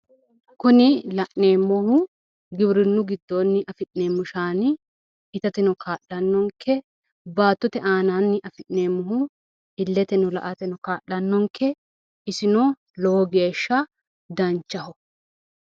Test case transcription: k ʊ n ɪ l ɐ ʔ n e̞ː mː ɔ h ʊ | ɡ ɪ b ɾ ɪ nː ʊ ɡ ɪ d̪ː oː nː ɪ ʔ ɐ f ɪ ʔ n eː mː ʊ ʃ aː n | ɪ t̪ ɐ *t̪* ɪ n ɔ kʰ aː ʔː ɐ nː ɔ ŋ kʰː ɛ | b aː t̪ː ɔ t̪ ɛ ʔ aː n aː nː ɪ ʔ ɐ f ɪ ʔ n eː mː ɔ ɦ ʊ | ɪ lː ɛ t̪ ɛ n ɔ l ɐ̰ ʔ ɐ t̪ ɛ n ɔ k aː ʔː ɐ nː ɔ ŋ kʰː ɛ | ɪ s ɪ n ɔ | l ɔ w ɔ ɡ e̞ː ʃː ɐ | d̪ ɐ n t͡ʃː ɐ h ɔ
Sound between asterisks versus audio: correct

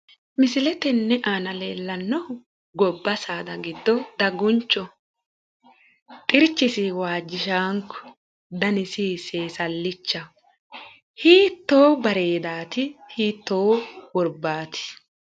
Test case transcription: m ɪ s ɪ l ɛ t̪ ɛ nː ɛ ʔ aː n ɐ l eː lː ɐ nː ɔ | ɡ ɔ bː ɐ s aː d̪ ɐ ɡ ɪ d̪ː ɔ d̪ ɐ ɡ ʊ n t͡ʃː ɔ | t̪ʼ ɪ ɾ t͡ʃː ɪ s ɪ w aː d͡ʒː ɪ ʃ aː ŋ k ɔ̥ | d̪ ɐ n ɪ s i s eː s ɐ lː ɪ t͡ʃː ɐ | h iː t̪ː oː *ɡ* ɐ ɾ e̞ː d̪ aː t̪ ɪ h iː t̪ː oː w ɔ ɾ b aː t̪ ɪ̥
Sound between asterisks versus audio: incorrect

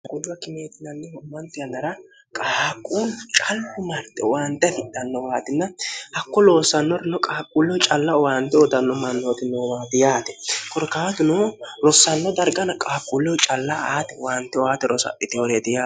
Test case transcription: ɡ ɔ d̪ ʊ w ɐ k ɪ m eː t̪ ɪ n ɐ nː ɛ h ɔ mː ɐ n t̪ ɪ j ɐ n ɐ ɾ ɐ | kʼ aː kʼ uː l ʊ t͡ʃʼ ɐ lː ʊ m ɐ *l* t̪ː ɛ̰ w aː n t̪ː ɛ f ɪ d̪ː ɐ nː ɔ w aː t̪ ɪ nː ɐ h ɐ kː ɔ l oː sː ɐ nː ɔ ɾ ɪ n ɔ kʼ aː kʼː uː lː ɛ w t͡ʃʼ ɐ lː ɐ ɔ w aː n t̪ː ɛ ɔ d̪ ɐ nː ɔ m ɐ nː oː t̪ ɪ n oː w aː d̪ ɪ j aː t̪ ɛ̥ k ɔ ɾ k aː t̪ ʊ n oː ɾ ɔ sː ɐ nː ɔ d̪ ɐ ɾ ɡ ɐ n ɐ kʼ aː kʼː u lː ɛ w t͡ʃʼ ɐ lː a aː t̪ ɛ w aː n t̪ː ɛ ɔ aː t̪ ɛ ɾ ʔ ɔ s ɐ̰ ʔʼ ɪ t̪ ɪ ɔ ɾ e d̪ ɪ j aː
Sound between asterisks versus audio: incorrect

